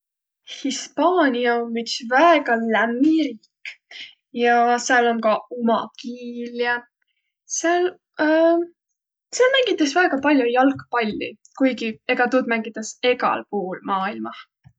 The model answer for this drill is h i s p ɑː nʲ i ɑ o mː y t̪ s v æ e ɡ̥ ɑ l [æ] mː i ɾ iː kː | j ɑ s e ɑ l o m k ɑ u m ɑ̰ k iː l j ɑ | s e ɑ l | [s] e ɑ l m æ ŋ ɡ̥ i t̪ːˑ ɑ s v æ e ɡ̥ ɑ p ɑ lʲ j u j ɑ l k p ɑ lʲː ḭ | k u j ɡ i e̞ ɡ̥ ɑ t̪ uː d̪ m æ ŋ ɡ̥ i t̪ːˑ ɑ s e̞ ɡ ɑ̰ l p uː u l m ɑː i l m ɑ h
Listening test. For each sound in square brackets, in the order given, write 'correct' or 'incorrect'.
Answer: correct, correct

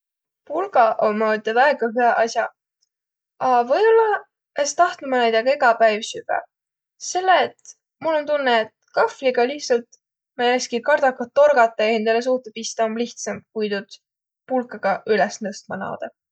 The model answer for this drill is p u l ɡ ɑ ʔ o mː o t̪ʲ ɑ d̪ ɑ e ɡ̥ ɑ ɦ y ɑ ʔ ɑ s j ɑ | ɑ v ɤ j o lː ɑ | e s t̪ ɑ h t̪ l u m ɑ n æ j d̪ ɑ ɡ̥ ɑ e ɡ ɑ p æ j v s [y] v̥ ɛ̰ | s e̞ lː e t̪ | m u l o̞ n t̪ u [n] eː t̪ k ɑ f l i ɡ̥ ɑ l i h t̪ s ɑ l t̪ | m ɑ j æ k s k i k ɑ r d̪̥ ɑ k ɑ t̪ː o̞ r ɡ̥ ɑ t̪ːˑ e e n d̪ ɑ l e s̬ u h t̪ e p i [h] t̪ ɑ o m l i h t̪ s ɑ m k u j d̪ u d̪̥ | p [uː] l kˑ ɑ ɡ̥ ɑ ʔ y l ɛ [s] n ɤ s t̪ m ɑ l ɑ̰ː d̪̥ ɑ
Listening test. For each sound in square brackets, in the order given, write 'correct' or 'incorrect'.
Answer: correct, incorrect: nː, incorrect: s, incorrect: u, correct

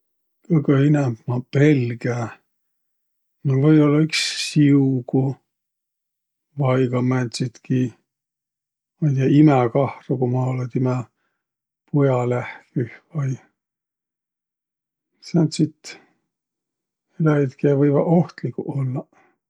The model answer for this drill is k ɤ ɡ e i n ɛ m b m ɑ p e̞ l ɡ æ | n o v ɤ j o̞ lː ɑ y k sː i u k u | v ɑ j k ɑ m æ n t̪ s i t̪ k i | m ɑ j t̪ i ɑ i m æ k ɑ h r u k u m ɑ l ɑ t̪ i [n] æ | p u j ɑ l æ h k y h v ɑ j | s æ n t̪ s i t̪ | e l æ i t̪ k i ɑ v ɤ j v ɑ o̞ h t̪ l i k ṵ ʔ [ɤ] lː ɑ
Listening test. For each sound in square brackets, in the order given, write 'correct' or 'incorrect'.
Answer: incorrect: m, incorrect: o

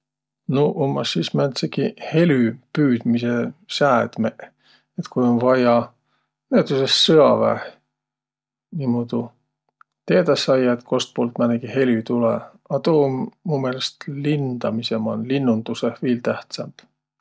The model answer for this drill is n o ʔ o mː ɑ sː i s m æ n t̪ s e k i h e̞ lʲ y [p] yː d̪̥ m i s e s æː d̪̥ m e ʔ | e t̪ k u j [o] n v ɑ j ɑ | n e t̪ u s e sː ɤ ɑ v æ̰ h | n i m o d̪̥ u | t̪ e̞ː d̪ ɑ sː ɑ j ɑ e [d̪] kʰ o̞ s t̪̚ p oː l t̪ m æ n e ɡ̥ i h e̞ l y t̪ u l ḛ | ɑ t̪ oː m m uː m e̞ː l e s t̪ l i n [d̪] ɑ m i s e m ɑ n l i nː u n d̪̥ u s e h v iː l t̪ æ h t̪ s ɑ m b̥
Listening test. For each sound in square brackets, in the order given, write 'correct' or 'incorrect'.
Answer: correct, correct, incorrect: t̪, correct

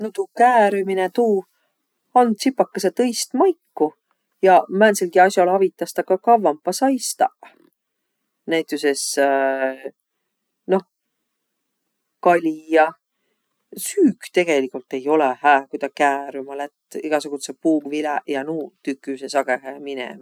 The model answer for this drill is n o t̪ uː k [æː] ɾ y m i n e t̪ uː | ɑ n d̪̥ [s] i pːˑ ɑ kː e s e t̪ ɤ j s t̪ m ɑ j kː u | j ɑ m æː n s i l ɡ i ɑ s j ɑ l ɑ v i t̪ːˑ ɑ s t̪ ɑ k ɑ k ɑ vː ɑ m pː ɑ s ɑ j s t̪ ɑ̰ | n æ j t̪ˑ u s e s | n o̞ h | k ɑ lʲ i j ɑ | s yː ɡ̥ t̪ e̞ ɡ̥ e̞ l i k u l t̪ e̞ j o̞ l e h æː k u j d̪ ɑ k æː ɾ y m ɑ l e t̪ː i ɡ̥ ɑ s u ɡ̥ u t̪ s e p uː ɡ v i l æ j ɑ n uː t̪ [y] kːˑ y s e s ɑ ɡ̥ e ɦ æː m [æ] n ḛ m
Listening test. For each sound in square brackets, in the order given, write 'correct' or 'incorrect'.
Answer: correct, correct, correct, incorrect: i

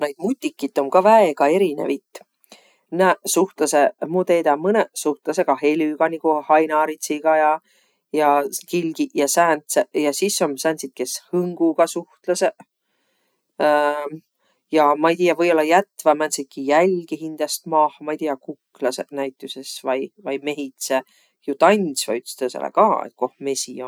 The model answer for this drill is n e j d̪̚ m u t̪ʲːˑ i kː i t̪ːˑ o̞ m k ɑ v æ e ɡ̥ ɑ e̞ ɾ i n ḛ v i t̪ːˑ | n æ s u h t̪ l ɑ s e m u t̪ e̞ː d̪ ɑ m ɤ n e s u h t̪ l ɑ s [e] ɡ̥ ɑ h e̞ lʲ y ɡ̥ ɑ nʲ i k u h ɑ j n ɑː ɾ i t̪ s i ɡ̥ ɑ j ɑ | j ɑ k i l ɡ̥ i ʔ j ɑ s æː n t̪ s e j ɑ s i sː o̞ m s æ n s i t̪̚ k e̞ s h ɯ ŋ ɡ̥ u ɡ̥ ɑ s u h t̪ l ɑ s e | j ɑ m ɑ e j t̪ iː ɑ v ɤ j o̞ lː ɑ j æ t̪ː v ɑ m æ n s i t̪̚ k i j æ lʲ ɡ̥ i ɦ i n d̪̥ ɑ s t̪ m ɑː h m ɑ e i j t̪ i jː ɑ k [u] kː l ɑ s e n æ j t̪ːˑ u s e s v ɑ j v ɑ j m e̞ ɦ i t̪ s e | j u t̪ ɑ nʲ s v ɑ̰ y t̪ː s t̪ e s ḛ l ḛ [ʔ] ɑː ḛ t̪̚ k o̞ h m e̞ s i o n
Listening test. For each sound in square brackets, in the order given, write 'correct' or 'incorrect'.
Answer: correct, correct, incorrect: k

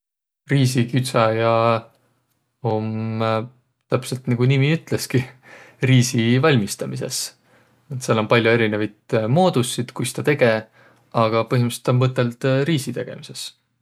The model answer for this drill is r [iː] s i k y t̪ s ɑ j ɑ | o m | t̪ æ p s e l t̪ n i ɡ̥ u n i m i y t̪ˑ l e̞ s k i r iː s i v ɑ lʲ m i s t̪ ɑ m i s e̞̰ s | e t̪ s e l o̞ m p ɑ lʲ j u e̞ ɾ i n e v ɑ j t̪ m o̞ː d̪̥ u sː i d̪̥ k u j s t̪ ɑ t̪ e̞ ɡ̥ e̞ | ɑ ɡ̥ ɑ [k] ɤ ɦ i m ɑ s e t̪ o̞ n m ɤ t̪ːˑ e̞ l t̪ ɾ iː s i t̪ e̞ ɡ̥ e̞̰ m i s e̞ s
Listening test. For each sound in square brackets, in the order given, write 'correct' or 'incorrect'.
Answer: correct, incorrect: p

